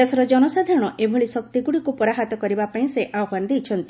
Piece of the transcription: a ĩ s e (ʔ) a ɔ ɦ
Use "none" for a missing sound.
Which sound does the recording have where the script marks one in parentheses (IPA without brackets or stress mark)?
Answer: ʔ